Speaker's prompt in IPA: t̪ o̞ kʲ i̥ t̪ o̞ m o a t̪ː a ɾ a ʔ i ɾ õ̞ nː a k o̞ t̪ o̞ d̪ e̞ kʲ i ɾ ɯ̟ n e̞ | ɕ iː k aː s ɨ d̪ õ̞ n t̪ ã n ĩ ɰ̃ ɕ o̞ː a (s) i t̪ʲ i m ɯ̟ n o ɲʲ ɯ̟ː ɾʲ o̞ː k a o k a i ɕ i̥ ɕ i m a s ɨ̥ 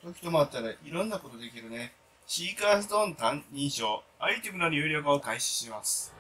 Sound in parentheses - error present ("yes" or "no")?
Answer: yes